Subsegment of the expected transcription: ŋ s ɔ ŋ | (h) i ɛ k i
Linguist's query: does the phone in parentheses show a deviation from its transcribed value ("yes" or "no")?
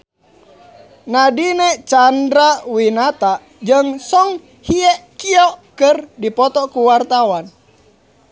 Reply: no